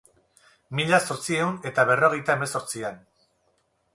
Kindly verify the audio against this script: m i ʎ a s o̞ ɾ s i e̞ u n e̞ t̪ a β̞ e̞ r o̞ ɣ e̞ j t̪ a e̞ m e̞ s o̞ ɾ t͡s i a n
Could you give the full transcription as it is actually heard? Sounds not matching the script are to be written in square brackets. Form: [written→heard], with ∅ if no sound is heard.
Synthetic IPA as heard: m i ʎ a s o̞ ɾ [s→t͡s] i e̞ u n e̞ t̪ a β̞ e̞ r o̞ ɣ e̞ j t̪ a e̞ m e̞ s o̞ ɾ t͡s i a n

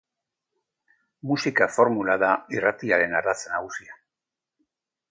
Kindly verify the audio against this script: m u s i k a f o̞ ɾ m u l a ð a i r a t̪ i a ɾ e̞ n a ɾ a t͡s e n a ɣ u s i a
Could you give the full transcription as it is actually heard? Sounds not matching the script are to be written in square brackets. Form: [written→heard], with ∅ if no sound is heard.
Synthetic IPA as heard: m u s i k a f o̞ ɾ m u l a ð a i r a t̪ i a ɾ e̞ n a ɾ a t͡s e n a ɣ u s i a

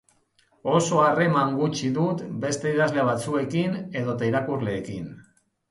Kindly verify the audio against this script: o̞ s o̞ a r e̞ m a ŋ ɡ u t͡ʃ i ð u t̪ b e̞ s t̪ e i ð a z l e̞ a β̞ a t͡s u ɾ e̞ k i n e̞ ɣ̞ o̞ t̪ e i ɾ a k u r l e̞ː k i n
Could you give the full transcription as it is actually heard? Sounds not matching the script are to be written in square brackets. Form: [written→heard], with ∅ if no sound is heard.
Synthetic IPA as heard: o̞ s o̞ a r e̞ m a ŋ ɡ u t͡ʃ i ð u t̪ b e̞ s t̪ e i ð a z l e̞ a β̞ a t͡s u [ɾ→∅] e̞ k i n e̞ [ɣ̞→ð̞] o̞ t̪ [e→a] i ɾ a k u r l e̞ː k i n

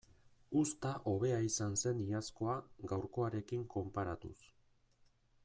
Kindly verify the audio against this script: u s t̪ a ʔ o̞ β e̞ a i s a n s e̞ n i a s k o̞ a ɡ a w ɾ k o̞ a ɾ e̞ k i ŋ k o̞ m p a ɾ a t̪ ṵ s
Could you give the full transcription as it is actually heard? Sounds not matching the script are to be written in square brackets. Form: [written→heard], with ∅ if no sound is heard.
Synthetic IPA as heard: u s t̪ a ʔ o̞ β e̞ a i s a n s e̞ n i a s k o̞ a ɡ a w ɾ k o̞ a ɾ e̞ k i ŋ k o̞ m p a ɾ a t̪ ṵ s

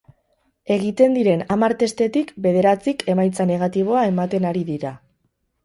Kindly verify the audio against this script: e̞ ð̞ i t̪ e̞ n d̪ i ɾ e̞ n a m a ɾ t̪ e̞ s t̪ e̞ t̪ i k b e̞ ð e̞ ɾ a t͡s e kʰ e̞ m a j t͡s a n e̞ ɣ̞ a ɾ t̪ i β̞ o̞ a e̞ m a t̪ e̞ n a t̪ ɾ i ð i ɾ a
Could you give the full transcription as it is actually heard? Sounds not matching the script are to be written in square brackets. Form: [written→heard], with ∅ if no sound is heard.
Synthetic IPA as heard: e̞ [ð̞→ɣ̞] i t̪ e̞ n d̪ i ɾ e̞ n a m a ɾ t̪ e̞ s t̪ e̞ t̪ i k b e̞ ð e̞ ɾ a t͡s [e→i] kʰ e̞ m a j t͡s a n e̞ ɣ̞ a [ɾ→∅] t̪ i β̞ o̞ a e̞ m a t̪ e̞ n a [t̪→∅] ɾ i ð i ɾ a

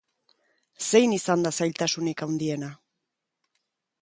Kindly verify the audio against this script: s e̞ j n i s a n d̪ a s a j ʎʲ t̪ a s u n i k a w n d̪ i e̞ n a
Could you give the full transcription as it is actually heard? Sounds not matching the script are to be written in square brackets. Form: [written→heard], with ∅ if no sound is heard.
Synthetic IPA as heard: s e̞ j n i s a n d̪ a s a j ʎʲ t̪ a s u n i k a w n d̪ i e̞ n a

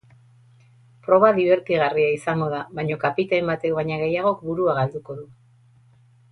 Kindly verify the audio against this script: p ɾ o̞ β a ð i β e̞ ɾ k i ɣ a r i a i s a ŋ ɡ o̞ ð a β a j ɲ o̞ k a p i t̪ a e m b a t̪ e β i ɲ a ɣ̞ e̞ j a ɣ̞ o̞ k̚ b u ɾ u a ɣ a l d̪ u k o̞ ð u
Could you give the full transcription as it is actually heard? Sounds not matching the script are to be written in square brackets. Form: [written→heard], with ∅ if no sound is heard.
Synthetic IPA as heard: p ɾ o̞ β a ð i β e̞ ɾ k i ɣ a r i a i s a ŋ ɡ o̞ ð a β a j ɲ o̞ k a p i t̪ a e m b a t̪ e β [i→a] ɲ a ɣ̞ e̞ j a ɣ̞ o̞ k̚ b u ɾ u a ɣ a l d̪ u k o̞ ð u

